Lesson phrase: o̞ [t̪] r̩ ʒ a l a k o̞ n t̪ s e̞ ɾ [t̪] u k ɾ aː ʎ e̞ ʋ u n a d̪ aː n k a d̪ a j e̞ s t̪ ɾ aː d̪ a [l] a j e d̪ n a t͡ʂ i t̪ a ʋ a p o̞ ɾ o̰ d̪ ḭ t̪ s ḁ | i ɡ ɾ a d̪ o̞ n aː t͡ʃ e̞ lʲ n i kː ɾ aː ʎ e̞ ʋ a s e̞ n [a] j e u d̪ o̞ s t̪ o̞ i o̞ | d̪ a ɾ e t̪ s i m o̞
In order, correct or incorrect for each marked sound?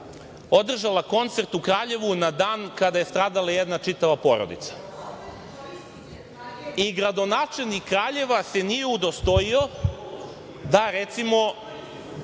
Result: incorrect: d̪, correct, correct, incorrect: i

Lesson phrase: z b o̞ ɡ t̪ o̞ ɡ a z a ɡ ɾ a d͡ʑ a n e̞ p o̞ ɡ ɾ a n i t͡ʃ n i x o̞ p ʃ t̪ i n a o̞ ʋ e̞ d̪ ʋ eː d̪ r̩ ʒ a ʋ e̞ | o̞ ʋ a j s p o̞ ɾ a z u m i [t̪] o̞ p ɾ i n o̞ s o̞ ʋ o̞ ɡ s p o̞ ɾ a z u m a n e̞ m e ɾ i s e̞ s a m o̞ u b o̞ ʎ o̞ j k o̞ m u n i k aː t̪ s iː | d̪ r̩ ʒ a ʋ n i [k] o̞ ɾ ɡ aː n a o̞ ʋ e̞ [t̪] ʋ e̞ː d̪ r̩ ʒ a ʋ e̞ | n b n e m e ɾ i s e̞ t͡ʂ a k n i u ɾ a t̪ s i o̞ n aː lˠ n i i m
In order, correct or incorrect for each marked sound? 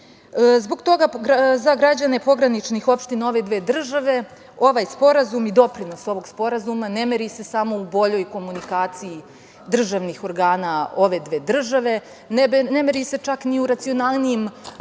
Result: incorrect: d̪, incorrect: x, incorrect: d̪

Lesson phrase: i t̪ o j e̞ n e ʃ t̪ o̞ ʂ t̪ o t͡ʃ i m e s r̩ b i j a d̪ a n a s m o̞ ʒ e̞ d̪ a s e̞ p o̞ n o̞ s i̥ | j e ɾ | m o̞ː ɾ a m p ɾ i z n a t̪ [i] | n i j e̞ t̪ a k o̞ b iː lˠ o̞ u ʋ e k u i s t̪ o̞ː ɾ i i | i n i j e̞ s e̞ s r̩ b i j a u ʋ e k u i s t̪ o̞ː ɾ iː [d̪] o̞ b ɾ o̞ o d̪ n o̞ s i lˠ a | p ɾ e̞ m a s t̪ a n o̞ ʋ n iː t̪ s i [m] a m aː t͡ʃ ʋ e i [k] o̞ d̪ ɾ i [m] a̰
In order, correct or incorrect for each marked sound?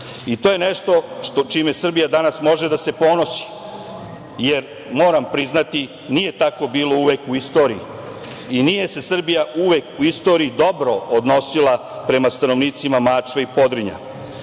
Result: correct, correct, correct, incorrect: p, incorrect: ɲ

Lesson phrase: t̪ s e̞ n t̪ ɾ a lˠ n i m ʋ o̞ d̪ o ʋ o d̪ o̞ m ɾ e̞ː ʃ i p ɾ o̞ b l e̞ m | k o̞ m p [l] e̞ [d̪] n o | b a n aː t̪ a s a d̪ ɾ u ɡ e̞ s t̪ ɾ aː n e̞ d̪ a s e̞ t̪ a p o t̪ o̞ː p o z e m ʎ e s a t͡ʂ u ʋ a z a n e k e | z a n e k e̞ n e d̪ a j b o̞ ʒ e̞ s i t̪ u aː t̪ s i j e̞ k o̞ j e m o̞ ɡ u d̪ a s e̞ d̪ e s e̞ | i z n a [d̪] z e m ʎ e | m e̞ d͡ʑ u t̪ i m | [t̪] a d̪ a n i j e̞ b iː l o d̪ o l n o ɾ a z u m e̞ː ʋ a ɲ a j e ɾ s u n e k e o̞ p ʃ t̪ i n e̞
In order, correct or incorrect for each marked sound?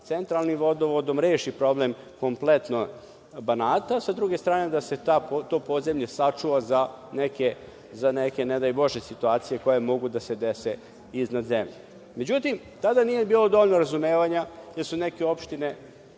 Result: correct, incorrect: t̪, correct, correct

